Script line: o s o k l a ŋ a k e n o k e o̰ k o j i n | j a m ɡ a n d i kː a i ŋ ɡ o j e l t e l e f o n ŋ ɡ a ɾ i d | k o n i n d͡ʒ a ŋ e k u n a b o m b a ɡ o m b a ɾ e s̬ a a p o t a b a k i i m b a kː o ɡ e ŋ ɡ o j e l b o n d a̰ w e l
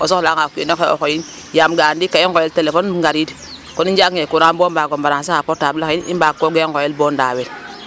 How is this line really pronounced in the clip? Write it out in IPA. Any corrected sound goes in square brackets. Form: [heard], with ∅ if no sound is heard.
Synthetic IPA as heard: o s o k l a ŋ a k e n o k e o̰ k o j i n | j a m ɡ a n d i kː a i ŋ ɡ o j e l t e l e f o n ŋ ɡ a ɾ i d | k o n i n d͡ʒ a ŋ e k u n a b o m b a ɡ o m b a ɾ [a] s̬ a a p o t a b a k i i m b a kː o ɡ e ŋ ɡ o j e l b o n d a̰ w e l